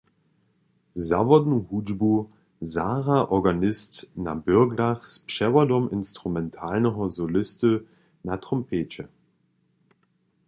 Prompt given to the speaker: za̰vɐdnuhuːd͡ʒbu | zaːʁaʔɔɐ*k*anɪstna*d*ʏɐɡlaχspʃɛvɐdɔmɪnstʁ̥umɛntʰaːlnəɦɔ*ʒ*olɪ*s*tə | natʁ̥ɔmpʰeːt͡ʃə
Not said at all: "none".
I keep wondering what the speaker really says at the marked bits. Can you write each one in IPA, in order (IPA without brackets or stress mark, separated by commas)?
ɡ, b, z, s